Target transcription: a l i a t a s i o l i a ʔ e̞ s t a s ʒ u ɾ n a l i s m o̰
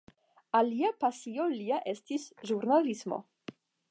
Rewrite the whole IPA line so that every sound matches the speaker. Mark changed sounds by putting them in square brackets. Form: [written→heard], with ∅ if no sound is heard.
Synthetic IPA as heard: a l i a [t→p] a s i o l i a ʔ e̞ s t [a→i] s ʒ u ɾ n a l i s m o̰